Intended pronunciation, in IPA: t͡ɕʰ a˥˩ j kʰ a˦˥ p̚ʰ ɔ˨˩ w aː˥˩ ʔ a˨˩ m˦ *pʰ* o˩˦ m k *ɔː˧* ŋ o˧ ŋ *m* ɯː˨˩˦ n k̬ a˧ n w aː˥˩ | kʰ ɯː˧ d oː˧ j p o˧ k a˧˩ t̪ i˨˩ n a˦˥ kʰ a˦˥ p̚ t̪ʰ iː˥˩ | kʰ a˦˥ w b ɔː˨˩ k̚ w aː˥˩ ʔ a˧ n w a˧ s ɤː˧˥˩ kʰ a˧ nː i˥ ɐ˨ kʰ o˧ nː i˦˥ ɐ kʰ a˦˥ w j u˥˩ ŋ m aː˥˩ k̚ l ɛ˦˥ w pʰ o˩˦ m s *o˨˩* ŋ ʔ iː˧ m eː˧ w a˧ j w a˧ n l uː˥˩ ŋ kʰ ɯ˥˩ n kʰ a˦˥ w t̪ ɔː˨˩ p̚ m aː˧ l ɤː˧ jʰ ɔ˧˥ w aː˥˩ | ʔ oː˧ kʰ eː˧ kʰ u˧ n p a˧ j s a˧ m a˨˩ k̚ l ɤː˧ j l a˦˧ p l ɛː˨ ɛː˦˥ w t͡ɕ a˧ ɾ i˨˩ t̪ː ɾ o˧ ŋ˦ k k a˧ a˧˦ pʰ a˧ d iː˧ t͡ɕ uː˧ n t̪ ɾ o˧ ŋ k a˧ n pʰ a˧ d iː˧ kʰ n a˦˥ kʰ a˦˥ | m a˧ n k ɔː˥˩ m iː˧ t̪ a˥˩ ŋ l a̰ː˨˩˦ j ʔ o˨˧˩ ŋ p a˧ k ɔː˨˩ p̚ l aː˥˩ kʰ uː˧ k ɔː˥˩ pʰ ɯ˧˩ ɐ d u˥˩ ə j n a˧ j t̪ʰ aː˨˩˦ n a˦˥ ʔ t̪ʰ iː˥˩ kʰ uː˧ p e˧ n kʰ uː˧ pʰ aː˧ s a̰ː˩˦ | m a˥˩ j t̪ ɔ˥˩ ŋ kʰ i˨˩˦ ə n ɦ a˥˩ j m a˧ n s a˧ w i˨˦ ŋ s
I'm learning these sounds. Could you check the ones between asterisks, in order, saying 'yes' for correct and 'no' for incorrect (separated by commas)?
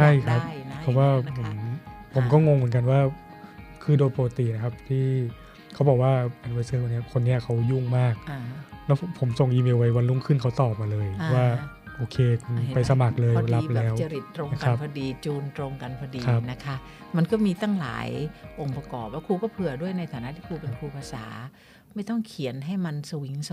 yes, no, yes, yes